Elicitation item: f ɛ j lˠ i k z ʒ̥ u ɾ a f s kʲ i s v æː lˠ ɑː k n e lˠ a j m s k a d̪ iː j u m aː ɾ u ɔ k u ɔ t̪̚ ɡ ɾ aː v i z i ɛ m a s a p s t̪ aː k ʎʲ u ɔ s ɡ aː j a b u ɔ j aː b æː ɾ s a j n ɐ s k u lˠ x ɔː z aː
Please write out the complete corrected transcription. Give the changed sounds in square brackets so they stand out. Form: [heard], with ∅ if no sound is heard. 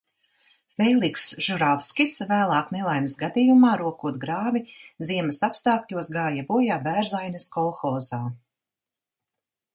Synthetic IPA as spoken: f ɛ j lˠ i k [s] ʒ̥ u ɾ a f s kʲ i s v æː lˠ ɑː k n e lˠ a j m s [ɡ] a d̪ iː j u m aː ɾ u ɔ k u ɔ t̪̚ ɡ ɾ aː v i z i ɛ m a s a p s t̪ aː k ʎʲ u ɔ s ɡ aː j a b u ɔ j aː b æː ɾ [z] a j n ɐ s k [ɔ] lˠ x ɔː z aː